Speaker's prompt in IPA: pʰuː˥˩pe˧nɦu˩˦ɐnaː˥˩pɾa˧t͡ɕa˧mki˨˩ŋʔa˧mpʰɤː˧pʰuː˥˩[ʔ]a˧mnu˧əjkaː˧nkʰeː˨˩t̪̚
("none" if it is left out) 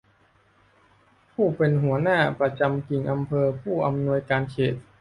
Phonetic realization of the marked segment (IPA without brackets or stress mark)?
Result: ʔ